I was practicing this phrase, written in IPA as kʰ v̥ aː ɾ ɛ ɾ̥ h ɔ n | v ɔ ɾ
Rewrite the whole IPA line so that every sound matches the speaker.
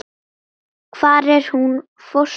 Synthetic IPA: kʰ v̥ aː ɾ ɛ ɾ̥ h u n | f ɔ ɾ